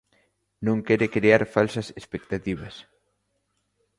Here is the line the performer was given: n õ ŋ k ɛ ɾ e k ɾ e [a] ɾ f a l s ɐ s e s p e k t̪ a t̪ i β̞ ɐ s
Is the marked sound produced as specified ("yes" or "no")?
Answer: yes